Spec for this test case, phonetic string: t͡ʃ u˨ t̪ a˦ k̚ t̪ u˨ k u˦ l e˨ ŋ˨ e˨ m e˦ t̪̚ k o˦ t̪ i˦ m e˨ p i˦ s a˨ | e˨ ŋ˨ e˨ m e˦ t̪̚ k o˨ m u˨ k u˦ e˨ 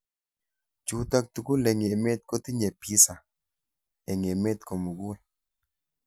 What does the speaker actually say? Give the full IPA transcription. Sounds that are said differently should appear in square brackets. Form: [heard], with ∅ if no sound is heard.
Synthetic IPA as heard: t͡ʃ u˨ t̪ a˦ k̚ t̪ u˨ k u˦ l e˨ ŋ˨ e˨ m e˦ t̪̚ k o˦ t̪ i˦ [ɲ] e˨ p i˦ s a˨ | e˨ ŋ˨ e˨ m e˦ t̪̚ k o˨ m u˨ [ɡ] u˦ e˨